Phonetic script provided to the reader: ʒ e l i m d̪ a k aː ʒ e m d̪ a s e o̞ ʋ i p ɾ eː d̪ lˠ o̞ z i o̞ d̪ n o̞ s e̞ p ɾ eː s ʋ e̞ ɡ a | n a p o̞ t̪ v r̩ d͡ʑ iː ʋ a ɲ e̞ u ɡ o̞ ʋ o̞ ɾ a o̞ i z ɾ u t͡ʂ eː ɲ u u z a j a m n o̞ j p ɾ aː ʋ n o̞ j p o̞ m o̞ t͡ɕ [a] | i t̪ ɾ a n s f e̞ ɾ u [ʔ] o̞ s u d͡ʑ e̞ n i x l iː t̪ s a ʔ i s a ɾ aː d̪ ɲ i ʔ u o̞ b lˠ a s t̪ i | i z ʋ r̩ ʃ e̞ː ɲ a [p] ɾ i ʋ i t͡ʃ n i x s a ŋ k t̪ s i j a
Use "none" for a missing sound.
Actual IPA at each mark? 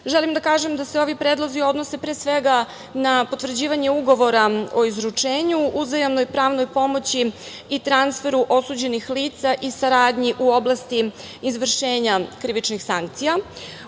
i, ʔ, k

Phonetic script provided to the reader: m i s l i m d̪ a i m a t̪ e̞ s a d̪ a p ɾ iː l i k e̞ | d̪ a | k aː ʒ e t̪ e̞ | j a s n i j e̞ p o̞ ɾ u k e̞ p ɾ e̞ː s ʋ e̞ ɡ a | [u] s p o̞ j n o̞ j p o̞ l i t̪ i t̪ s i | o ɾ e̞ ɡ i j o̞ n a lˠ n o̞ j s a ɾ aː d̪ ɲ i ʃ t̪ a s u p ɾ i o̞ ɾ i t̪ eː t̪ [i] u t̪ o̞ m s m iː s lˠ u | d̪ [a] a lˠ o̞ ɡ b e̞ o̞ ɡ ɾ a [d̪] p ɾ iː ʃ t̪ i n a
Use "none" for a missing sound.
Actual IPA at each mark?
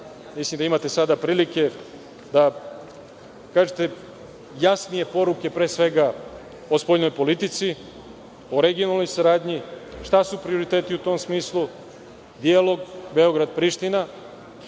o, i, i, d̪

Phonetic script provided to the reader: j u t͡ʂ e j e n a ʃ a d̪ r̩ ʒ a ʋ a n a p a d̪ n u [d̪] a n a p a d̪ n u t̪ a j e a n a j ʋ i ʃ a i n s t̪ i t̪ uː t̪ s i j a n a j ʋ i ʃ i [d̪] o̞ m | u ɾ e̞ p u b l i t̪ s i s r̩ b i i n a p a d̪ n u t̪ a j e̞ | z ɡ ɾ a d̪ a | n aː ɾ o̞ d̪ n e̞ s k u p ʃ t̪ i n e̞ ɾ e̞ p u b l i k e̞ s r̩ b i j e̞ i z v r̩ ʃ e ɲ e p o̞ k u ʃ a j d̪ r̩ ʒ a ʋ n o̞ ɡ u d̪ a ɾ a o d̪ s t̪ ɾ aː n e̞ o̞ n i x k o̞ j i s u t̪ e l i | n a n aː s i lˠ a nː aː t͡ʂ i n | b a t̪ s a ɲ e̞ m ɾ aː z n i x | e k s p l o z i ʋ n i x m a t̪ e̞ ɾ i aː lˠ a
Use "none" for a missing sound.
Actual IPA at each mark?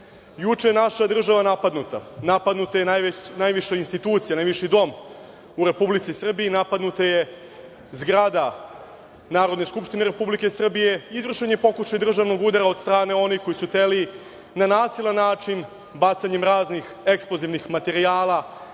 t̪, d̪

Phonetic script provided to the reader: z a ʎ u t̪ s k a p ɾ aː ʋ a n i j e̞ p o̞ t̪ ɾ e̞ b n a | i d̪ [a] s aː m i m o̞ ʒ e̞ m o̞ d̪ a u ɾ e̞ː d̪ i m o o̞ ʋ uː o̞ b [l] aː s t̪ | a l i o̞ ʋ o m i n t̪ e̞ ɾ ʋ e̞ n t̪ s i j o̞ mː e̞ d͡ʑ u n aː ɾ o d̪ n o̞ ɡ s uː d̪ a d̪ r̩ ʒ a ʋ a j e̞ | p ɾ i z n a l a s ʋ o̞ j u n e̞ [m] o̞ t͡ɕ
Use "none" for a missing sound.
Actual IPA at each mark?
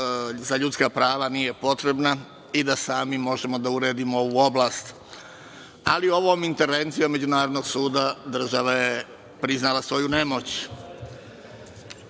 a, l, m

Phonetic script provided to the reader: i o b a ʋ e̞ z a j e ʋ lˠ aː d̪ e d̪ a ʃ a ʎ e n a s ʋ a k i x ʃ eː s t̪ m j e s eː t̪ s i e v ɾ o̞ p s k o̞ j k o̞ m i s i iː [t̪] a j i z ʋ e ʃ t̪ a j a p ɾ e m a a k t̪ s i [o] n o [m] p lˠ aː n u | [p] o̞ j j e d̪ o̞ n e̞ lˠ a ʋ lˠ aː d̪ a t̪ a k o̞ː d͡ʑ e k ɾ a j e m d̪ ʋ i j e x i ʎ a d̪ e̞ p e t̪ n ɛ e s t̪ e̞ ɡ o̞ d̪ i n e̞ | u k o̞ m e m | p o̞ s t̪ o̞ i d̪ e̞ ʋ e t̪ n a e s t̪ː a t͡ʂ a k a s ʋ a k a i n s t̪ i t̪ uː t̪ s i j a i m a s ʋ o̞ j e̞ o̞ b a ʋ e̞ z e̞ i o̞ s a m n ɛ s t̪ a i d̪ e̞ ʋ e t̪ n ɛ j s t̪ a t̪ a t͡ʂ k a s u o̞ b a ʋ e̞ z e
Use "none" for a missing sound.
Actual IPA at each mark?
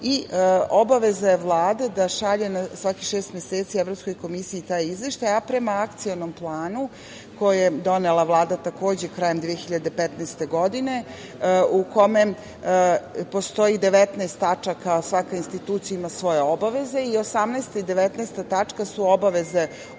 t̪, o, m, k

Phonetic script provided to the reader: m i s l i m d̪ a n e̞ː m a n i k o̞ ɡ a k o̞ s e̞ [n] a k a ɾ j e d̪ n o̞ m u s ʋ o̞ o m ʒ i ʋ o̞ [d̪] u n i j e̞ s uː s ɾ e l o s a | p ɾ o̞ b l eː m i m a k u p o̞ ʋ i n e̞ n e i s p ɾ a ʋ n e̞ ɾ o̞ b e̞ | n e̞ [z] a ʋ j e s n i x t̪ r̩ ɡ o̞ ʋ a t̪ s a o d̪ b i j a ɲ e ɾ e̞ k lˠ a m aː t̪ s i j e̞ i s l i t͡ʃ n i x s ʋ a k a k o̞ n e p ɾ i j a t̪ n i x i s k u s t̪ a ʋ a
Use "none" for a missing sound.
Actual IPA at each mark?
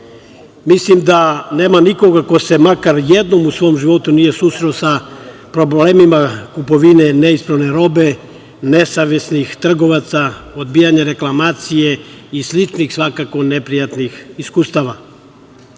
m, t̪, s

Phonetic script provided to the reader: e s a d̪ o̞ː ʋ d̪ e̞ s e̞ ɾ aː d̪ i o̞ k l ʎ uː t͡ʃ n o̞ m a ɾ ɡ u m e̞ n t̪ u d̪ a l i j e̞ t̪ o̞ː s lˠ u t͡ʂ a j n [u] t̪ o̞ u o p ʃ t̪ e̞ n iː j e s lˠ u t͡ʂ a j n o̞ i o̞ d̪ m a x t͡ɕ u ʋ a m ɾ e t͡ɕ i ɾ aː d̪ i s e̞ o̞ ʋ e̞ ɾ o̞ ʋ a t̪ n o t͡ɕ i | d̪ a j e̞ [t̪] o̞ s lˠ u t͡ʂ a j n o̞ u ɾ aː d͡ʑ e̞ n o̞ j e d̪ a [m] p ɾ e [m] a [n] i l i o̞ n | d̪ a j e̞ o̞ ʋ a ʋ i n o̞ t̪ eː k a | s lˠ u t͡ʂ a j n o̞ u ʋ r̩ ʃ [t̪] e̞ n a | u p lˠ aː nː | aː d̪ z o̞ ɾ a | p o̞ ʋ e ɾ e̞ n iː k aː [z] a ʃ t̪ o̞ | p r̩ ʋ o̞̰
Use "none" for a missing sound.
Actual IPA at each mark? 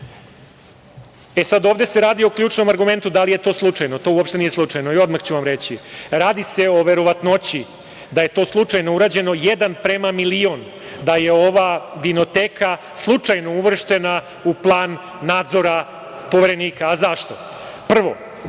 o, t̪, n, m, m, t̪, z

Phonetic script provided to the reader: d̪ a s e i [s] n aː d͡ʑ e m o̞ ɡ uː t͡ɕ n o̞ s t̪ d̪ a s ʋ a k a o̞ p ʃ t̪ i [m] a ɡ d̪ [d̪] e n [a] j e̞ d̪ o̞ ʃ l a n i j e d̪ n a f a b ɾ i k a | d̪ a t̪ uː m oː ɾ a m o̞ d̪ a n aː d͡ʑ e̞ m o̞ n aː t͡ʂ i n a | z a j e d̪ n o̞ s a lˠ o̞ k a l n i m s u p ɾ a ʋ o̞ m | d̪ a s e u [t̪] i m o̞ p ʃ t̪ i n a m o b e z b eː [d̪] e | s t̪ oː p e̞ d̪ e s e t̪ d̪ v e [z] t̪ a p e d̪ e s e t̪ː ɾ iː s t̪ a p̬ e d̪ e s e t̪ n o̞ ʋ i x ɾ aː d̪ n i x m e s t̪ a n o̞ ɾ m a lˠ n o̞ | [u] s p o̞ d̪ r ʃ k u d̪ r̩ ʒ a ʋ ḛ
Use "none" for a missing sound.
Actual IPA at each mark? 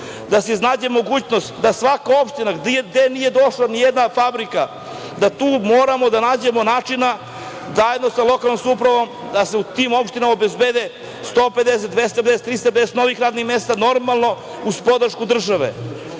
z, n, d̪, i, t̪, d̪, s, u

